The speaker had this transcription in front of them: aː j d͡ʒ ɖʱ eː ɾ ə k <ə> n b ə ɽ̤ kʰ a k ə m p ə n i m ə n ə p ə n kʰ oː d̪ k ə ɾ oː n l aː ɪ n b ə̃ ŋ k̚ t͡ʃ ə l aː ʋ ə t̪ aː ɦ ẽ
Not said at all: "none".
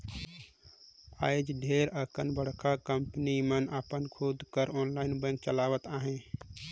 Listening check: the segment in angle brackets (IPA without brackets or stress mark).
ə